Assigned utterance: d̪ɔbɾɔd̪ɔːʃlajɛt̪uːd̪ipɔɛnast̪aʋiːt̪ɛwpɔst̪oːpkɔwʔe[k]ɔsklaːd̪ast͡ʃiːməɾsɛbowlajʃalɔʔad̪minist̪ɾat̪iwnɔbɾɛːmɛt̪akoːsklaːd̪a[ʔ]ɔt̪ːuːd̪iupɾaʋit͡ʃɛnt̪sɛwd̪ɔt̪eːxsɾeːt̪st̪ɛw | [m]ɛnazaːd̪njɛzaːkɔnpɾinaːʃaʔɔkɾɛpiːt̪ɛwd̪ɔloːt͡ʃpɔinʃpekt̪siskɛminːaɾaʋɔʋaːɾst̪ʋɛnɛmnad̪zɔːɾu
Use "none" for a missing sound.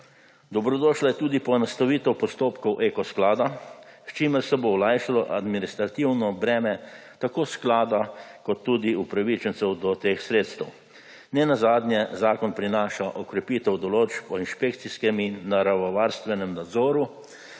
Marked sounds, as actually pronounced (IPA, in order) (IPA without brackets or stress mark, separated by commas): k, k, n